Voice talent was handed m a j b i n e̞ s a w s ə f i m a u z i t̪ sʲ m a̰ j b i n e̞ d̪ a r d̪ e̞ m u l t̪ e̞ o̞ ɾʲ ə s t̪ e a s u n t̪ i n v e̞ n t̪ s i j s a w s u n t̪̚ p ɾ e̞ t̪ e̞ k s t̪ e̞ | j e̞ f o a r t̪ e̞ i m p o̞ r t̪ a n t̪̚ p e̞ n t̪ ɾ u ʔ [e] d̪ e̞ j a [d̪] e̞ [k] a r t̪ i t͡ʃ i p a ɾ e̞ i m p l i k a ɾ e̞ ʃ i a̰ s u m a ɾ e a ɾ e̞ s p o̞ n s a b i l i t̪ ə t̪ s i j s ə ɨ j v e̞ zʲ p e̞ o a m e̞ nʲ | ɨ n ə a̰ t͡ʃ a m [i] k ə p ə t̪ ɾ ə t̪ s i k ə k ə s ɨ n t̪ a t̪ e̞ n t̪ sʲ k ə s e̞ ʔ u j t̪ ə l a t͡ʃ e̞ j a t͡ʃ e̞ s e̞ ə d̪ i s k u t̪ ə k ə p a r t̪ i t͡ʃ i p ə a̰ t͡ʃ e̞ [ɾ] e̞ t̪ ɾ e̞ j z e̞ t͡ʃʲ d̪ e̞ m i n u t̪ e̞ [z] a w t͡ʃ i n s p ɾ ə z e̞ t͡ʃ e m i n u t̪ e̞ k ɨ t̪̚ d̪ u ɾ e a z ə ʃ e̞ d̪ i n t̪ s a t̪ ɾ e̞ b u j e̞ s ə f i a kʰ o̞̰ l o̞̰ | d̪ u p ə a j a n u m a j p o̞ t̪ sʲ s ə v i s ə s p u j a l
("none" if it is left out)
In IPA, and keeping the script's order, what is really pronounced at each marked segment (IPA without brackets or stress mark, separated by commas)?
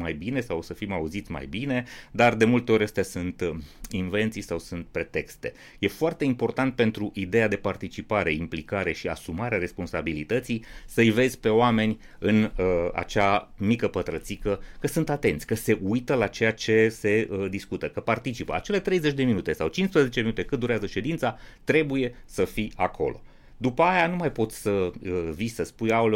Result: i, d̪, p, i, l, s